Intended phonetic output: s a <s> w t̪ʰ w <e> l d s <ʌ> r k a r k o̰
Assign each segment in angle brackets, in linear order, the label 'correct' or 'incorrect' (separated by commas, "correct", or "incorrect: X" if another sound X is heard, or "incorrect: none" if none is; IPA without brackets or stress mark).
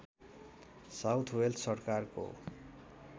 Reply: incorrect: none, correct, correct